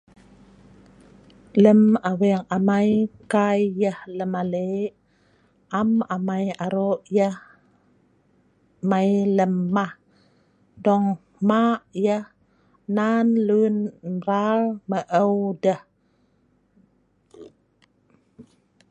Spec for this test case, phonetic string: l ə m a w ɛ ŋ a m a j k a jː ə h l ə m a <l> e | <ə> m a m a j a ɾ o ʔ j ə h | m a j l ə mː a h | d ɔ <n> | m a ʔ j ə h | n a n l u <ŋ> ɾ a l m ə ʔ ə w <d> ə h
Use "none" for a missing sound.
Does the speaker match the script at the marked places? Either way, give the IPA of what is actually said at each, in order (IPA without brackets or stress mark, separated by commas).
l, a, ŋ, n, d